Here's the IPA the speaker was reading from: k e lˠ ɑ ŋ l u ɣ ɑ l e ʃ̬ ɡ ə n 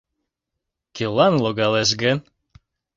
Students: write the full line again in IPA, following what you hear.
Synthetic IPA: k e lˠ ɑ n l o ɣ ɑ l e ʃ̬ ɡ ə n